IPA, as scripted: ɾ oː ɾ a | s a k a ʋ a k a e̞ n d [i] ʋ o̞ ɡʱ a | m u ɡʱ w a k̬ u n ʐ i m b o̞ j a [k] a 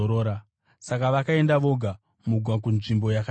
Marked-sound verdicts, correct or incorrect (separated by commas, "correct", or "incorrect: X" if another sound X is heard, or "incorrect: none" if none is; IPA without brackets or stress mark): incorrect: a, correct